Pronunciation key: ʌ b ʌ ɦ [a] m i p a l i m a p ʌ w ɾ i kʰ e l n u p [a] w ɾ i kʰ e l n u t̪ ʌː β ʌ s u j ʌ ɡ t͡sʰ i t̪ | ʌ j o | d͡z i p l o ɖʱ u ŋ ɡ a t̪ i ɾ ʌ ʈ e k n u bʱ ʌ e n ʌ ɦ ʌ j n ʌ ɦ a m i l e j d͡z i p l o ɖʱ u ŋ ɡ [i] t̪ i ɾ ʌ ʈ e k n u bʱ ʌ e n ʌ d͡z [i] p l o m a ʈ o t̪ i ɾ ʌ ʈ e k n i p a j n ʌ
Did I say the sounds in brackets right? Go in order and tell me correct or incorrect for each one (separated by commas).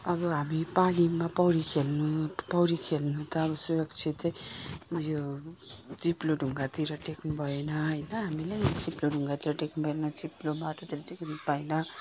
correct, incorrect, incorrect, correct